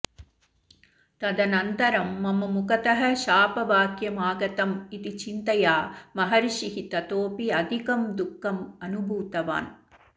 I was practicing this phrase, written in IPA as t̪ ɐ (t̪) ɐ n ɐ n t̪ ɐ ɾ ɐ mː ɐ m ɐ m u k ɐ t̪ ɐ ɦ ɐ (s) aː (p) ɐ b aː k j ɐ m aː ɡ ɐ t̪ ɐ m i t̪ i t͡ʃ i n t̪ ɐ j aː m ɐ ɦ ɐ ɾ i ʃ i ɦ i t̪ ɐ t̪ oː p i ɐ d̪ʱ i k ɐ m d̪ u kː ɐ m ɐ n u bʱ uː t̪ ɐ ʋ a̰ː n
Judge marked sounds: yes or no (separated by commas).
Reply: no, no, yes